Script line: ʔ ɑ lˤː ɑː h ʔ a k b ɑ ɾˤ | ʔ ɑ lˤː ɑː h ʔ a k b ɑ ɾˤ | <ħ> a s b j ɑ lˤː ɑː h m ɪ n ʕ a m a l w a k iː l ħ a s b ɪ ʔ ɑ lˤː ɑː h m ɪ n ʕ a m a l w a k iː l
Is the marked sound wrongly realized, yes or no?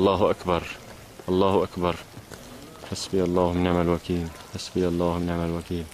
no